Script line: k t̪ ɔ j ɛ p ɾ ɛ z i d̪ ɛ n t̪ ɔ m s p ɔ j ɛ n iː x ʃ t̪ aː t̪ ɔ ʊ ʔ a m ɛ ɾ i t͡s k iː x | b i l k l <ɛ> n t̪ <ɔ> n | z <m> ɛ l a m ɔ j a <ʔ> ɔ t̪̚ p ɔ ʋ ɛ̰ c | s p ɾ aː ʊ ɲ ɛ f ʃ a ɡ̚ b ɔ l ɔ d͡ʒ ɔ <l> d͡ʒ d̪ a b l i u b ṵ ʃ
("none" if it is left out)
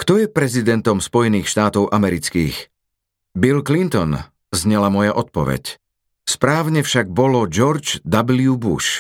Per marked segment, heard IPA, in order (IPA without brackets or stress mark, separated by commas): i, ɔ, ɲ, ʔ, ɾ